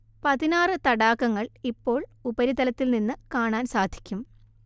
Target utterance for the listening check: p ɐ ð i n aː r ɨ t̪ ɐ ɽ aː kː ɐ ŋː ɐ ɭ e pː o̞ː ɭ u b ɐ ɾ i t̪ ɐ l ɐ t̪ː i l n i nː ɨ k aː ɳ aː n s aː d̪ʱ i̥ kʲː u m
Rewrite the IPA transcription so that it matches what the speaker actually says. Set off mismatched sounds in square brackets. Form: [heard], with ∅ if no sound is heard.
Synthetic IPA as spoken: p ɐ ð i n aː r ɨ t̪ ɐ ɽ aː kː ɐ ŋː ɐ ɭ [i] pː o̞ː ɭ u b ɐ ɾ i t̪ ɐ l ɐ t̪ː i l n i nː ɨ k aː ɳ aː n s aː d̪ʱ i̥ kʲː u m